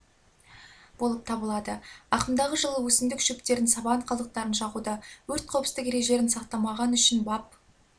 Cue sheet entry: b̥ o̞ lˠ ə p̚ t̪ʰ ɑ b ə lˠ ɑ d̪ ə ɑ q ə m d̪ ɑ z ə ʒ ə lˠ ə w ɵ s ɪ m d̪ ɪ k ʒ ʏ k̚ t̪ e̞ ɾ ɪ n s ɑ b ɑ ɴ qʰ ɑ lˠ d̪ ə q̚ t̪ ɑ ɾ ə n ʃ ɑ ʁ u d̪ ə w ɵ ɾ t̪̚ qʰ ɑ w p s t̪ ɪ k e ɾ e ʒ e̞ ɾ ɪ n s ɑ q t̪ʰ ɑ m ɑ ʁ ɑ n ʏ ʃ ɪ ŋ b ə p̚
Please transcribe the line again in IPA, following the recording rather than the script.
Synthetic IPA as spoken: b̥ o̞ lˠ ə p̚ t̪ʰ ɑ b ə lˠ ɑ d̪ ə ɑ q ə m d̪ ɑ ʁ ə ʒ ə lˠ ə w ɵ s ɪ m d̪ ɪ k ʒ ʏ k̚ t̪ e̞ ɾ ɪ n s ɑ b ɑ ɴ qʰ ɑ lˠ d̪ ə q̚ t̪ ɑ ɾ ə n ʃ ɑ ʁ u d̪ ə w ɵ ɾ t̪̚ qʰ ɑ w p s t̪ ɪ k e ɾ e ʒ e̞ ɾ ɪ n s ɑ q t̪ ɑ m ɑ ʁ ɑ n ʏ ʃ ɪ n b ɑ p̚